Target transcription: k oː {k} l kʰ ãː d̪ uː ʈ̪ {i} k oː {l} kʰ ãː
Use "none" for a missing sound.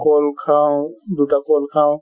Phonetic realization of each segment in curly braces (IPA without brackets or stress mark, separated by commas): none, a, l